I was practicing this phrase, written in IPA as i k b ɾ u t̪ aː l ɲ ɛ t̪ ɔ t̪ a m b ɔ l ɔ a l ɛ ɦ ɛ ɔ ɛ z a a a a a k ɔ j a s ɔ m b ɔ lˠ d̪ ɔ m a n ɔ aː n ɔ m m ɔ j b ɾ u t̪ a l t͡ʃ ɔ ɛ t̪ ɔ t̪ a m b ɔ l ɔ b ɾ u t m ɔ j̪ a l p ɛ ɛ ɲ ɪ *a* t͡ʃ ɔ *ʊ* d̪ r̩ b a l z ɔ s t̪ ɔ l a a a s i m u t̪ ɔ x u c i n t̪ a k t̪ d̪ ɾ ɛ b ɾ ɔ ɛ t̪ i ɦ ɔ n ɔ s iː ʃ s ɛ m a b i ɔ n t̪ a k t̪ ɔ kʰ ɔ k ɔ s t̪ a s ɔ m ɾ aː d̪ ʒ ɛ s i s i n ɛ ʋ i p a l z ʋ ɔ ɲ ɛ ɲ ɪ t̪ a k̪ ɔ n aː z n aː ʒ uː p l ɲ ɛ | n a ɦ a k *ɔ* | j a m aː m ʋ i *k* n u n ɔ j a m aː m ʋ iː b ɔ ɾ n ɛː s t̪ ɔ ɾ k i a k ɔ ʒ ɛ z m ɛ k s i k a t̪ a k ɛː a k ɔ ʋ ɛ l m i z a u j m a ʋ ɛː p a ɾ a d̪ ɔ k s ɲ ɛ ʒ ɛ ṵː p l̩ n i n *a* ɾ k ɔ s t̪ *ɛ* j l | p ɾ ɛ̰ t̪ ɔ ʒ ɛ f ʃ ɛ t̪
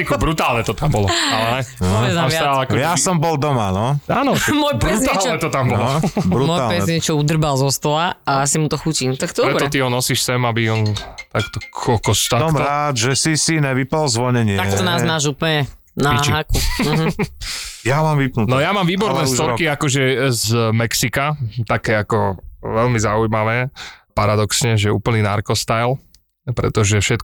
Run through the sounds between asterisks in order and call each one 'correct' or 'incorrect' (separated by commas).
incorrect, incorrect, incorrect, incorrect, correct, incorrect